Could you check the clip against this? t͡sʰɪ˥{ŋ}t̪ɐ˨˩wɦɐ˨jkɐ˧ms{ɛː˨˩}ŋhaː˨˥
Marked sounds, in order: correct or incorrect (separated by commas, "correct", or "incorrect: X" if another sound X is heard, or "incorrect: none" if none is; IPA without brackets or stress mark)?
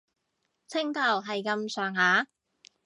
correct, incorrect: œː˨˩